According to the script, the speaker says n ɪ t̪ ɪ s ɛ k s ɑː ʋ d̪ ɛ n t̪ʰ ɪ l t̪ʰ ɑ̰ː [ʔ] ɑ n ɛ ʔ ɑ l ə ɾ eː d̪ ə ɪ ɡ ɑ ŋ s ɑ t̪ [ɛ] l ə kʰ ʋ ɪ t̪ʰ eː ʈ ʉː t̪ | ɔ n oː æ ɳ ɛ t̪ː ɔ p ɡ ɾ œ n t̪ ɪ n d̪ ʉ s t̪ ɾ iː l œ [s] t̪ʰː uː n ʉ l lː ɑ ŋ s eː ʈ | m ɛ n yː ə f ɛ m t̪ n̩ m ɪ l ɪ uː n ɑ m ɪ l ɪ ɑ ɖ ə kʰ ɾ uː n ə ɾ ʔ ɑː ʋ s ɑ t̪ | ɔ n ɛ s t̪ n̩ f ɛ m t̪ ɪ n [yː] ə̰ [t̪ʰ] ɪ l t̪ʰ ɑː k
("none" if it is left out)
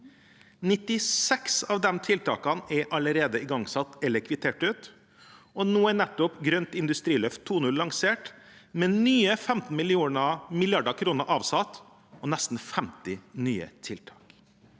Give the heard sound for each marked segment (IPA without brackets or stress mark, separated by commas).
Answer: k, ɛ, f, yː, t̪ʰ